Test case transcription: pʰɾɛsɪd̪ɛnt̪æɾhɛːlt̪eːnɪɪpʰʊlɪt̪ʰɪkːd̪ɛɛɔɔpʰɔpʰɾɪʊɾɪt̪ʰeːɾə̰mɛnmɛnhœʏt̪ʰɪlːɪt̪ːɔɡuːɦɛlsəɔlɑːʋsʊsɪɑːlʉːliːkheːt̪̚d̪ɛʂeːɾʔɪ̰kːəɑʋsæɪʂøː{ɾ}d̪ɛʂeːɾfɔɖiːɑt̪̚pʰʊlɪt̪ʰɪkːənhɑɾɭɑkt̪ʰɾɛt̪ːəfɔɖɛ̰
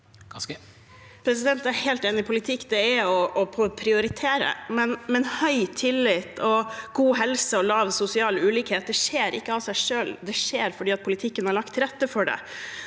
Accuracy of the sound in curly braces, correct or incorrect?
incorrect